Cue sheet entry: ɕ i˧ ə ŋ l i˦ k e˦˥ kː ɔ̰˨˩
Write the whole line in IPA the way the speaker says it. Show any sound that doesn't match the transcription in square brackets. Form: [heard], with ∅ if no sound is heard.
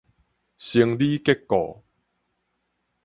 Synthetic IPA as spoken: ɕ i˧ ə ŋ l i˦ k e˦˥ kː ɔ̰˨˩